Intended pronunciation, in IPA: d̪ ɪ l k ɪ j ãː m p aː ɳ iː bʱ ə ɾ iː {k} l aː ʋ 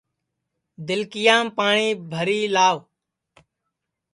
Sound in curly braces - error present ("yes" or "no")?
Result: yes